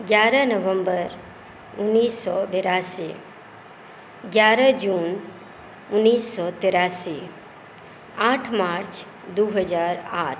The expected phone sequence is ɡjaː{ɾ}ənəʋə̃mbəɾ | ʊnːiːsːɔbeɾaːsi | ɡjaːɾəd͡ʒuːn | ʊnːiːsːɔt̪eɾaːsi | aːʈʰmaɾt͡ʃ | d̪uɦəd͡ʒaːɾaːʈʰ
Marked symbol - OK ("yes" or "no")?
yes